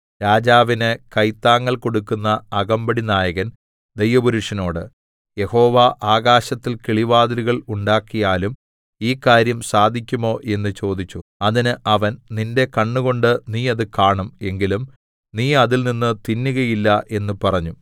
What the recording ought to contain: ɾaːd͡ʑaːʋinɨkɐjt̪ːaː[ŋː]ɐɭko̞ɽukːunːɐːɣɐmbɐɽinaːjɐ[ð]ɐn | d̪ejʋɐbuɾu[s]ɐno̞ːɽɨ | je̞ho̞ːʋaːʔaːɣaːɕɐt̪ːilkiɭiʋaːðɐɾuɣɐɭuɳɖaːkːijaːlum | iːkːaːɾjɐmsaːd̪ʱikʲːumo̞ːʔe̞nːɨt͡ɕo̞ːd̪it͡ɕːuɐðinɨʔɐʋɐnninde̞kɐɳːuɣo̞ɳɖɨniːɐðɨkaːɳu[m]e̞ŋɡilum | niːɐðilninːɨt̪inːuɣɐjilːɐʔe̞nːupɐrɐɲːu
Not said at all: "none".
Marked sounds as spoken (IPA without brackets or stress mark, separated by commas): ŋː, ɣ, ʂ, m